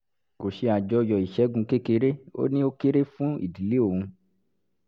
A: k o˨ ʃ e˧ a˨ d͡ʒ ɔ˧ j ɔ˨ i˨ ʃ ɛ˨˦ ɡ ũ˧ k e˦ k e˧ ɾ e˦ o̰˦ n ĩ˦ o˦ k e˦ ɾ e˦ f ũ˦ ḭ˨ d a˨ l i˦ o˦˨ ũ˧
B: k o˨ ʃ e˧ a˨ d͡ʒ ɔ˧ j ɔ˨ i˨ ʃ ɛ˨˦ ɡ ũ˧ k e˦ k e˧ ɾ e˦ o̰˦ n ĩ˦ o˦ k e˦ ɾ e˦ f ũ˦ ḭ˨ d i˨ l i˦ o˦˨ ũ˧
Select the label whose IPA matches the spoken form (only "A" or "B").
B